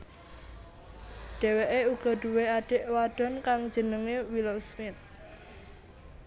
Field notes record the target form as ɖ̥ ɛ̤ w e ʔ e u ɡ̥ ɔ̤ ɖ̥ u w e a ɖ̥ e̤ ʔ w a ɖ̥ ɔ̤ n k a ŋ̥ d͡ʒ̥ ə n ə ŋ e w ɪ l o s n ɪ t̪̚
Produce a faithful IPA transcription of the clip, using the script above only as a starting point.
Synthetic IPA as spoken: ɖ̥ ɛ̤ w e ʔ e u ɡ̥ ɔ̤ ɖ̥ u w e a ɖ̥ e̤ ʔ w a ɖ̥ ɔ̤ n k a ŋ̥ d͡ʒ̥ ə n ə ŋ e w i l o s m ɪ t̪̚